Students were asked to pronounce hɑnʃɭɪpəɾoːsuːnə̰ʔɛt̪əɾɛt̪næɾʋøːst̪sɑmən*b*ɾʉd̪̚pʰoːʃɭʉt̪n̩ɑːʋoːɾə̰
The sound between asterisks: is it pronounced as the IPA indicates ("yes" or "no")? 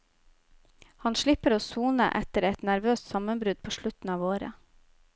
yes